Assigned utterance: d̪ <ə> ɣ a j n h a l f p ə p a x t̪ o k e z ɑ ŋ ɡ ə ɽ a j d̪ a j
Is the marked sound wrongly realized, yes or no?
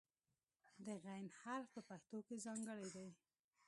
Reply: no